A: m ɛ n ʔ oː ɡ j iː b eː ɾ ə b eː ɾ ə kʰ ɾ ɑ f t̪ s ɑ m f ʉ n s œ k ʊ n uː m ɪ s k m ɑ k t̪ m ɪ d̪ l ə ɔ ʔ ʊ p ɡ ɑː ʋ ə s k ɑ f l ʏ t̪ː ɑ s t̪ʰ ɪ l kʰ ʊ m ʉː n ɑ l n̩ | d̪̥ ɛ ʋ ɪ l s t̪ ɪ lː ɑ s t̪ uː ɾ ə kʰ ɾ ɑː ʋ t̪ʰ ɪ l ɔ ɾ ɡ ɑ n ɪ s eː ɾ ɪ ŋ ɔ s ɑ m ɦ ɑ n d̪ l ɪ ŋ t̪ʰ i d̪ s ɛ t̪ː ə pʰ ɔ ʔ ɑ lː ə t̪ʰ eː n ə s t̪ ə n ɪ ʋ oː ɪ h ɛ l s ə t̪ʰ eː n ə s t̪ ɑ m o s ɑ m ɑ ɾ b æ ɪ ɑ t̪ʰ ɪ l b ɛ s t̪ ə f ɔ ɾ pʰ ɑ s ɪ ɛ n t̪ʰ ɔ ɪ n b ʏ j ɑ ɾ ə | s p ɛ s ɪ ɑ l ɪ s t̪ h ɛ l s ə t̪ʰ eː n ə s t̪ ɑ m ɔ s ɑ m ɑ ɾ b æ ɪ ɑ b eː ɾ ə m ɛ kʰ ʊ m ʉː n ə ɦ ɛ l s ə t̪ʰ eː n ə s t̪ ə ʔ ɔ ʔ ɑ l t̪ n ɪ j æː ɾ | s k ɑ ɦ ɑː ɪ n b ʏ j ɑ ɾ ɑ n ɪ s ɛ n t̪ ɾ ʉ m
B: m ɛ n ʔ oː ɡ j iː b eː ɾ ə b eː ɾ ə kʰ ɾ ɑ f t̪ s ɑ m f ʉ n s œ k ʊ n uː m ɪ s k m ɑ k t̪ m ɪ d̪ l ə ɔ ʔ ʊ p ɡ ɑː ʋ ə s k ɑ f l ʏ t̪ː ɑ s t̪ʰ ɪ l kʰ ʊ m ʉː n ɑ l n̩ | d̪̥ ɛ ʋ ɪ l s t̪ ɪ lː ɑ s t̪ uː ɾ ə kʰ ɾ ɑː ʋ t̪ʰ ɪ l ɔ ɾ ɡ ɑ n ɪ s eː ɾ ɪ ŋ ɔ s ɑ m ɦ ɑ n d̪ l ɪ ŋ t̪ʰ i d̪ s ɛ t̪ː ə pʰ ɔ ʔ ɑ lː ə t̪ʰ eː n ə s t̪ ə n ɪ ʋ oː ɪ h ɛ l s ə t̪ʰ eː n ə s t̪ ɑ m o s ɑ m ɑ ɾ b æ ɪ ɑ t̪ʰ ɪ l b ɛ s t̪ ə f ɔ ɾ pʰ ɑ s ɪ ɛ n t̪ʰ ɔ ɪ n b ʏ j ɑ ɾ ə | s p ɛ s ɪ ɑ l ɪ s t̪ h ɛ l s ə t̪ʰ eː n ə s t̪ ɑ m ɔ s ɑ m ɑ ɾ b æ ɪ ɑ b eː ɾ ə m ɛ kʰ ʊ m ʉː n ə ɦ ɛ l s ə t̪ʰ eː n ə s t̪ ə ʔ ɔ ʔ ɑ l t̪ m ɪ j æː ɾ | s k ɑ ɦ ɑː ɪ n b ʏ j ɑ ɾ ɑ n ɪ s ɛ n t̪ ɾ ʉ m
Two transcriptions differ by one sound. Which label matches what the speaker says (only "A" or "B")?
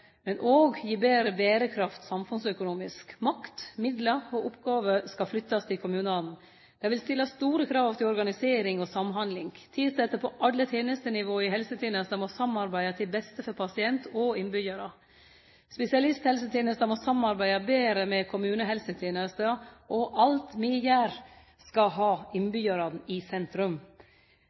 B